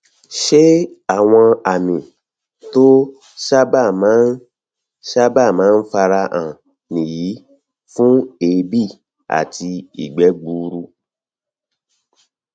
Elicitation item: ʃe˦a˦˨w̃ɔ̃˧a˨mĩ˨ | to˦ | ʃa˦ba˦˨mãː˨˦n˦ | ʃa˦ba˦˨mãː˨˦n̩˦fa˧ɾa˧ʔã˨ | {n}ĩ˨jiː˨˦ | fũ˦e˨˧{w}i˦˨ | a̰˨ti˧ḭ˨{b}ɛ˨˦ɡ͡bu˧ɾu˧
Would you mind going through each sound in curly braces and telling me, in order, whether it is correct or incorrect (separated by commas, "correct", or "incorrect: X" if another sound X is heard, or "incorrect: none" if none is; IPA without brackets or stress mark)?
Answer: correct, incorrect: b, incorrect: ɡ͡b